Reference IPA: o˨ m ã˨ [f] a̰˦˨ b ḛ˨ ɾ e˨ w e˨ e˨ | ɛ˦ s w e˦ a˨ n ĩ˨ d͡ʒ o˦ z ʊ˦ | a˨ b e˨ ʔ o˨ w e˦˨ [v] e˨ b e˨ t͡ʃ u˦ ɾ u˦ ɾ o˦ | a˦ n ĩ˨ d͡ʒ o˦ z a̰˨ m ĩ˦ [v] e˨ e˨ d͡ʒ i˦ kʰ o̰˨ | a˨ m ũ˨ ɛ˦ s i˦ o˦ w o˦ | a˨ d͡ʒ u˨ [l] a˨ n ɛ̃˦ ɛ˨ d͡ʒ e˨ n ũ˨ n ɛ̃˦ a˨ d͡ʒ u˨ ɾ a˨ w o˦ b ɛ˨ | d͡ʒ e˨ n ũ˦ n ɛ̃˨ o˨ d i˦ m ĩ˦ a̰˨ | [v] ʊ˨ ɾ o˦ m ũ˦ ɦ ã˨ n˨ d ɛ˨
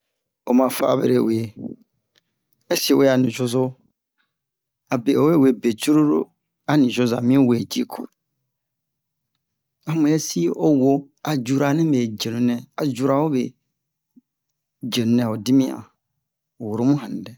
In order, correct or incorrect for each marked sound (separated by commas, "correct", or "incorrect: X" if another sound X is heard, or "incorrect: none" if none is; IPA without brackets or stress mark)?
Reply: correct, incorrect: w, incorrect: w, incorrect: ɾ, incorrect: w